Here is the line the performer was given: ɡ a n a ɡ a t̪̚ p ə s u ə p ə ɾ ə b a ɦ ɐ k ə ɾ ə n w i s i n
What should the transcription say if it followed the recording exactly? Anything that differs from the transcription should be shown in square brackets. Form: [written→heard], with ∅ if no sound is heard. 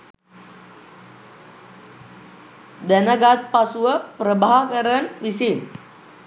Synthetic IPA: [ɡ→d] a n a ɡ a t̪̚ p [ə→a] s u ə p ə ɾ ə b a ɦ [ɐ→a] k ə ɾ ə n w i s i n